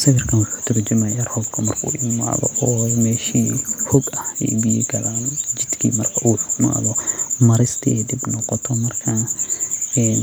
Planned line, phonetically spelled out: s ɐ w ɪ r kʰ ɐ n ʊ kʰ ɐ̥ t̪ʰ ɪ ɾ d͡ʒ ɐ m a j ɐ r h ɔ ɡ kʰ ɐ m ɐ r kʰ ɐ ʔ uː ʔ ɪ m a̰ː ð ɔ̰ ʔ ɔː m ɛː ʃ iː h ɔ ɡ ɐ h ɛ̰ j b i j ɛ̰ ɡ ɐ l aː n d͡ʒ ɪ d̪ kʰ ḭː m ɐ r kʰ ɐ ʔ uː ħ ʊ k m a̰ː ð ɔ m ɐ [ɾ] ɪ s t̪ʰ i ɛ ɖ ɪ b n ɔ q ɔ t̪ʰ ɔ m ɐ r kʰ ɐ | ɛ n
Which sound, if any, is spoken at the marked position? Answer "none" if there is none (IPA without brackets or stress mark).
ɾ